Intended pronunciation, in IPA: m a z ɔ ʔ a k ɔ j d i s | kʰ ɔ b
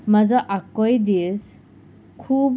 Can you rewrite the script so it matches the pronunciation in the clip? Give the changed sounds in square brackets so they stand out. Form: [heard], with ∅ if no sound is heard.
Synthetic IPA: m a z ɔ ʔ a k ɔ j d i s | kʰ [u] b